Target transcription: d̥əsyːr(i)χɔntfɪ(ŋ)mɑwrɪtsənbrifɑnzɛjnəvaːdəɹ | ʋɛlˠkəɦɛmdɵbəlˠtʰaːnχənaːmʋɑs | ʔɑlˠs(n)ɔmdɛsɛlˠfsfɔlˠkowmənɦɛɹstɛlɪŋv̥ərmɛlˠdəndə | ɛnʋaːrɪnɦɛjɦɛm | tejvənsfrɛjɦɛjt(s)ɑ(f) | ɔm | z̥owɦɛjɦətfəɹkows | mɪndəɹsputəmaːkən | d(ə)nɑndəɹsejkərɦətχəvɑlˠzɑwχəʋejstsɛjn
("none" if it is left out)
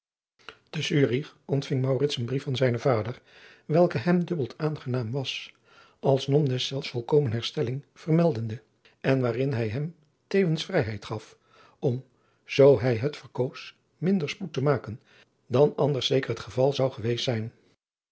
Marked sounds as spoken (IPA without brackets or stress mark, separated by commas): i, ŋ, n, χ, f, ɑ